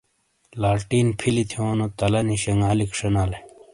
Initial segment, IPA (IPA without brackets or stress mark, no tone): l